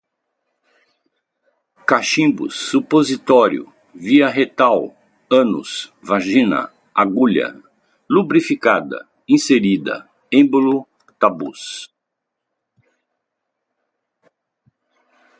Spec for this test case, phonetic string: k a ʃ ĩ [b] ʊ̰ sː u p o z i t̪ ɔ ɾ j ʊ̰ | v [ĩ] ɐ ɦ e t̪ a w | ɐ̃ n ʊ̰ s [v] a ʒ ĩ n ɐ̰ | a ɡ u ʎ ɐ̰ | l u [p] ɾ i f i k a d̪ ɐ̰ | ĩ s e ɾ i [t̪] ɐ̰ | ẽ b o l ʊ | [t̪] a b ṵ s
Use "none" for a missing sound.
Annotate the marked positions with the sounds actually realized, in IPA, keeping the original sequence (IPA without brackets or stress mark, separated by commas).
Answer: b, i, v, b, d̪, t̪